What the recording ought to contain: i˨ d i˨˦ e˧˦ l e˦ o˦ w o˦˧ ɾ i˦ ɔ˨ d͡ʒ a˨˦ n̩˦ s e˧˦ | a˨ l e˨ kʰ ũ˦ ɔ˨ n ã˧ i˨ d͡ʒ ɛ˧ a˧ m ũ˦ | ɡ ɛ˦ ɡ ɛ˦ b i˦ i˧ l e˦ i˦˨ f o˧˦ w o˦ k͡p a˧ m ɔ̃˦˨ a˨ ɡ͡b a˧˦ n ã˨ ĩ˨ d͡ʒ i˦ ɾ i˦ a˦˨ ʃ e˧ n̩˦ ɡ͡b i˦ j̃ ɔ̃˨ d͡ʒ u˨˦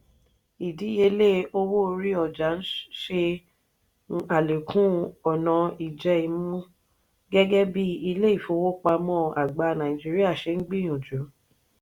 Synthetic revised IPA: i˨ d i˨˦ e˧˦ l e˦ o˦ w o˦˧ ɾ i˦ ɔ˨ d͡ʒ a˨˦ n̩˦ ʃ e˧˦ | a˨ l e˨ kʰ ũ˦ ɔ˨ n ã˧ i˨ d͡ʒ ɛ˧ i˧ m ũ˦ | ɡ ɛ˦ ɡ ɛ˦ b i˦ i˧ l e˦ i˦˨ f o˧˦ w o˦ k͡p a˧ m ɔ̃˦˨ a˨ ɡ͡b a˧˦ n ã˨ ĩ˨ d͡ʒ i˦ ɾ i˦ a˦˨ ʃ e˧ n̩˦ ɡ͡b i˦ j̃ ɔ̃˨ d͡ʒ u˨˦